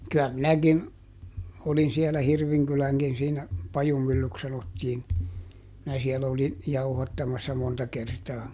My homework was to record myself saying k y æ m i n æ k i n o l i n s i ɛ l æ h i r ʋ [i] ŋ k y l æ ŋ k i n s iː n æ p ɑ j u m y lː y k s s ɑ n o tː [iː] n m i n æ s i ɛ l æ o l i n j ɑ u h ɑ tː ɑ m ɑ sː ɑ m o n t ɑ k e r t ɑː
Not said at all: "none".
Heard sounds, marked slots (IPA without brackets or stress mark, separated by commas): i, iː